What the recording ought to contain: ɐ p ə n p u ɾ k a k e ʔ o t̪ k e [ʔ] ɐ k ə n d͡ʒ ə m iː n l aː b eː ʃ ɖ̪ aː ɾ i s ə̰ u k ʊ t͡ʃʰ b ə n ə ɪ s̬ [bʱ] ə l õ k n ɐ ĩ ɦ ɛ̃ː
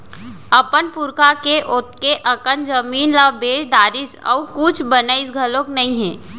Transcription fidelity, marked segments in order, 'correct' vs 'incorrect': correct, incorrect: ɡʱ

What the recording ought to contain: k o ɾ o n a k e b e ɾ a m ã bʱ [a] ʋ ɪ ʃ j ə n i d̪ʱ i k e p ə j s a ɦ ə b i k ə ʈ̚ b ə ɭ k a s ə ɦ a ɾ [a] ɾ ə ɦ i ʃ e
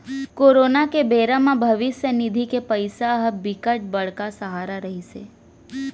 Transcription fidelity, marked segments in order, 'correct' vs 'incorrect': incorrect: ə, correct

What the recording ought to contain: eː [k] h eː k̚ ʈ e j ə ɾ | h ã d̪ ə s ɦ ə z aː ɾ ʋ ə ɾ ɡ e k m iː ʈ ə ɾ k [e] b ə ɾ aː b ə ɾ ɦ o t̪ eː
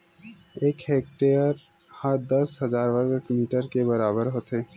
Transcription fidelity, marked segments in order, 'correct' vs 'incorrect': correct, correct

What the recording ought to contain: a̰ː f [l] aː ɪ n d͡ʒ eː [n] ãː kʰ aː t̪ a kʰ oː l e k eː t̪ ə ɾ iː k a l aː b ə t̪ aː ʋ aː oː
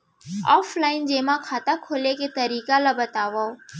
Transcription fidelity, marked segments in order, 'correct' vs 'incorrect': correct, incorrect: m

